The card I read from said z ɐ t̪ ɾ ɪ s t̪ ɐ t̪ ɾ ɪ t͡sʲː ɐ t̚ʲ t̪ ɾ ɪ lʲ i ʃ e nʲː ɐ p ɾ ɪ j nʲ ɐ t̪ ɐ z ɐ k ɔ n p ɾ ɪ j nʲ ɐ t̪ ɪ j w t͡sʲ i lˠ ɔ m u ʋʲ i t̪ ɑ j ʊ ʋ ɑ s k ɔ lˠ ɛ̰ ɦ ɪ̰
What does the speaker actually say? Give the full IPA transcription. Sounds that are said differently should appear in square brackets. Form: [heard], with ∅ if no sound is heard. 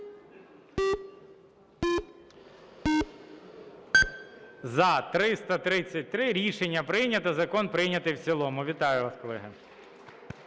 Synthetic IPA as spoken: z ɐ t̪ ɾ ɪ s t̪ ɐ t̪ ɾ ɪ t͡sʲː ɐ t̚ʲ t̪ ɾ ɪ [ɾʲ] i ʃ e nʲː ɐ p ɾ ɪ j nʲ ɐ t̪ ɐ z ɐ k ɔ n p ɾ ɪ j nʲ ɐ t̪ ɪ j w t͡sʲ i lˠ ɔ m [ʊ] ʋʲ i t̪ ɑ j ʊ ʋ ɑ s k ɔ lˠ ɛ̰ ɦ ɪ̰